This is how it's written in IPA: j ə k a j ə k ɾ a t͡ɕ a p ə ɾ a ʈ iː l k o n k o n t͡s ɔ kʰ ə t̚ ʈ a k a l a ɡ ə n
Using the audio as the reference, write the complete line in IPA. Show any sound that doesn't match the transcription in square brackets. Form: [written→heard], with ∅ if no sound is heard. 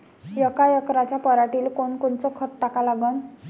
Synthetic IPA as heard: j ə k a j ə k ɾ a t͡ɕ a p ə ɾ a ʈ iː l k o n k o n t͡s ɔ kʰ ə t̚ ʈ a k a l a ɡ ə n